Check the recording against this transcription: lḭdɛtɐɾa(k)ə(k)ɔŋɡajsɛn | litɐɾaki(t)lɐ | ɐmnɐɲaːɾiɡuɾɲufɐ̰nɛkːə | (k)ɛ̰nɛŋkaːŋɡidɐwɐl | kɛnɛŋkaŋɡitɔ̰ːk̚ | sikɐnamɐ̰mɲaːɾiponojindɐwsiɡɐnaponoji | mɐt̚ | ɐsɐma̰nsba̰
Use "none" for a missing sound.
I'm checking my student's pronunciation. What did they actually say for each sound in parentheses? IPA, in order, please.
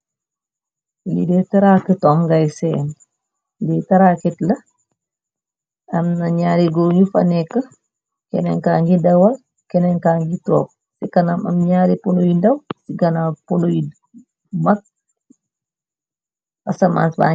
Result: k, t, t, k

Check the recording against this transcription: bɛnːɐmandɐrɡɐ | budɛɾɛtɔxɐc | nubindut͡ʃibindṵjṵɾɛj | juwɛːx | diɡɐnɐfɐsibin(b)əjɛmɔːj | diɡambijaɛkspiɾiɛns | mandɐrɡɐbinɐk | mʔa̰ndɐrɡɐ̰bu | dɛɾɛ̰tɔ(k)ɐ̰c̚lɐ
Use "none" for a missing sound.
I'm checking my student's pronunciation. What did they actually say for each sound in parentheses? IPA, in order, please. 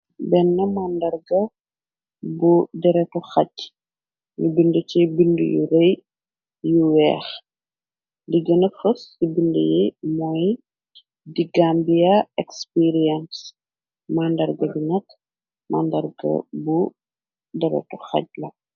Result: d, x

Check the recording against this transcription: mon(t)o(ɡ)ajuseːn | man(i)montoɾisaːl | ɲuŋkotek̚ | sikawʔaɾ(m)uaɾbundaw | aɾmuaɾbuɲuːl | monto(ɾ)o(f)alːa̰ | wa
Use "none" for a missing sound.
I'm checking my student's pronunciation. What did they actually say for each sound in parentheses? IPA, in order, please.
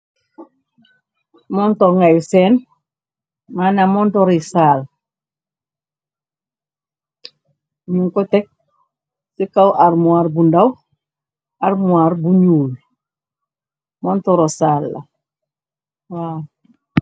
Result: t, ŋ, a, m, ɾ, s

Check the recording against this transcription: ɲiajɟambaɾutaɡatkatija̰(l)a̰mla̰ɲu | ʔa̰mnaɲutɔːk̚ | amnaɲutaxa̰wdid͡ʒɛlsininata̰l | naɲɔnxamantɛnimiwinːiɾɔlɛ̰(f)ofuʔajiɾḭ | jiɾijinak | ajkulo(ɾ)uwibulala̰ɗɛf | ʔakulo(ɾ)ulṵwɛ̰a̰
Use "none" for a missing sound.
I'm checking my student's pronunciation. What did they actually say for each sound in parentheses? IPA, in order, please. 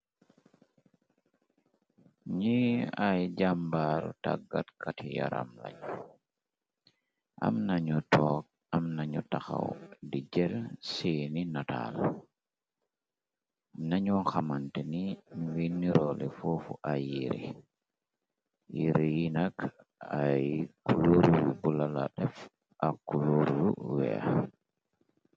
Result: ɾ, f, ɾ, ɾ

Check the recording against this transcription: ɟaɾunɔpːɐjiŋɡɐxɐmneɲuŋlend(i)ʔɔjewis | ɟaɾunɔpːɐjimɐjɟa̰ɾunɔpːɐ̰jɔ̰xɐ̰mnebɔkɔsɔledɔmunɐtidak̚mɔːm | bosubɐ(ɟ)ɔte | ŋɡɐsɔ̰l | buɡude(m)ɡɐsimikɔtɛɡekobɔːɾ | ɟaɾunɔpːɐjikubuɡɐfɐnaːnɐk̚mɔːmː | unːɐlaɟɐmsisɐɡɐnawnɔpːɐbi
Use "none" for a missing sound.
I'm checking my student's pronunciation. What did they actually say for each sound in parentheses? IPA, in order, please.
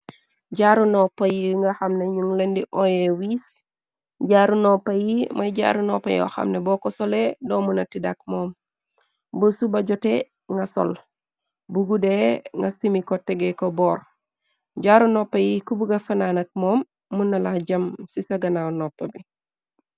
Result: i, ɟ, ŋ

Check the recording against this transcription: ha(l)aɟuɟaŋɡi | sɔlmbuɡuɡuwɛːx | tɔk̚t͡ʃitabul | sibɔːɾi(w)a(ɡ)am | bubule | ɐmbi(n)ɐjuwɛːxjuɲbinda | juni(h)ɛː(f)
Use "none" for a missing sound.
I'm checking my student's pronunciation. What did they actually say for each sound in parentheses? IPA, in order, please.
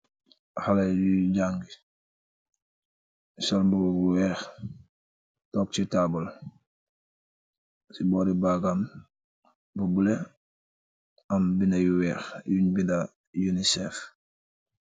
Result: l, b, ɡ, n, s, f

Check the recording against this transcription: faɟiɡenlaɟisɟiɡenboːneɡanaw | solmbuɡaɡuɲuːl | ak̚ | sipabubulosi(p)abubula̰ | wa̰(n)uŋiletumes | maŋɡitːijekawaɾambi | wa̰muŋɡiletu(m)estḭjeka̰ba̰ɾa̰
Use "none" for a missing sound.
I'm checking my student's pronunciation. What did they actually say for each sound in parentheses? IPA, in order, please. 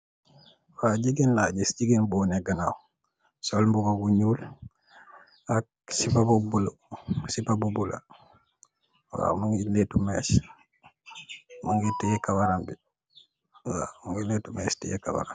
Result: p, m, m

